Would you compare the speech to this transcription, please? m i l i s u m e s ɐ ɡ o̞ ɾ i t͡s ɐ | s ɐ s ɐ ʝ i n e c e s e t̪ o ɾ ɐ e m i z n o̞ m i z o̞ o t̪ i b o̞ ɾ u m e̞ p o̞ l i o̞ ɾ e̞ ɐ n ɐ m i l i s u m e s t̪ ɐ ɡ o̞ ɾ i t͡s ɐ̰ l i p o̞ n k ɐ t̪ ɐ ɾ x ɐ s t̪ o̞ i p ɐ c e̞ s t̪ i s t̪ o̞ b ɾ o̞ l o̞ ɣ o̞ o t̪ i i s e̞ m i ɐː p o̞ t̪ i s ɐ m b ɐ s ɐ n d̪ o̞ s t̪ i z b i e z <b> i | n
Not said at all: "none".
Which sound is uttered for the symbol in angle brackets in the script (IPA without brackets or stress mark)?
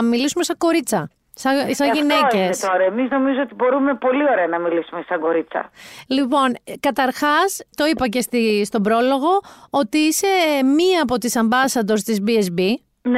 b